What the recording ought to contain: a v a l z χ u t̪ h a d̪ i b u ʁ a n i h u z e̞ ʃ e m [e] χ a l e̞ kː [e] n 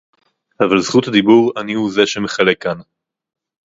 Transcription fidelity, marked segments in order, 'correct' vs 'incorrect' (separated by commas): correct, incorrect